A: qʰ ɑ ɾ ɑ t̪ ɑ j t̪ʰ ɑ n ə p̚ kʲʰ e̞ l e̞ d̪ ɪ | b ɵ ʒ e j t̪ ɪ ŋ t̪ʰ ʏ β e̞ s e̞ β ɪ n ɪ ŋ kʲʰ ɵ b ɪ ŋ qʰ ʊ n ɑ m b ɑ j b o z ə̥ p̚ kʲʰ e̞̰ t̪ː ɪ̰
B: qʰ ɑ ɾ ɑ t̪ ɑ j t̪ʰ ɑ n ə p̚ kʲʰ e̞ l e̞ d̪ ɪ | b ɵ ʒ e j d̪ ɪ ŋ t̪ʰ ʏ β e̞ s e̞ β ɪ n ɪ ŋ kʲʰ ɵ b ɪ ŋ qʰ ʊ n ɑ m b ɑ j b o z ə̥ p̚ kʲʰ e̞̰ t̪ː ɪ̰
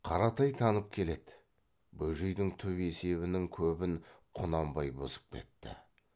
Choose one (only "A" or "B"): B